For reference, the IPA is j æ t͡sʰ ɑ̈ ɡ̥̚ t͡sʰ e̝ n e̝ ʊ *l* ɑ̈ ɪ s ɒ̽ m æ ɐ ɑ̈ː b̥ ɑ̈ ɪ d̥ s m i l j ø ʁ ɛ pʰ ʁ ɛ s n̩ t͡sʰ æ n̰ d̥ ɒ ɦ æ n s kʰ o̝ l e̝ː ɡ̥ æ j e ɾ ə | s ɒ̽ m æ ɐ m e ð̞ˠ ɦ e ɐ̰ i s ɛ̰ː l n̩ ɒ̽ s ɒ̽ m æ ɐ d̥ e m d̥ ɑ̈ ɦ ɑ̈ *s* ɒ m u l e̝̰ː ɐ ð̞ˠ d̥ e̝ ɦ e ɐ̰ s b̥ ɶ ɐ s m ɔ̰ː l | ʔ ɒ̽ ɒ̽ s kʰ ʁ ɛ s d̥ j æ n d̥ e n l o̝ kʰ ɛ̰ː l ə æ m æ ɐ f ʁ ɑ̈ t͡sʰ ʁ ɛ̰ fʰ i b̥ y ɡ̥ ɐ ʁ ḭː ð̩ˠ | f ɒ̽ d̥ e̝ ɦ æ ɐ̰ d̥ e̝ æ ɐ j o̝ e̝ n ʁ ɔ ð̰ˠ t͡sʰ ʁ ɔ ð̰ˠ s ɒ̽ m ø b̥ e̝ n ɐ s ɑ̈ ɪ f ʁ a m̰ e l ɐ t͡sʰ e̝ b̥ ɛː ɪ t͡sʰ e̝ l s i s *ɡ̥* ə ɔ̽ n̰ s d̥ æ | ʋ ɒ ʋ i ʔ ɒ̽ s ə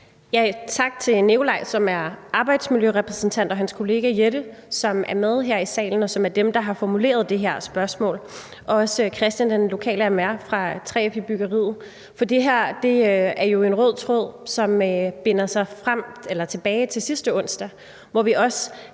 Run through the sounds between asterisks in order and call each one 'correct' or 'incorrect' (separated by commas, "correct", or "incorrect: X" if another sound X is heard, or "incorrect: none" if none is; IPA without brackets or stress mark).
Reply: correct, incorrect: f, incorrect: d̥